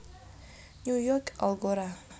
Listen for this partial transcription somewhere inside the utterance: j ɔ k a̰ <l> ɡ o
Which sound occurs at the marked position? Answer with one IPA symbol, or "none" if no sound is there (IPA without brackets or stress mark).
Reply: l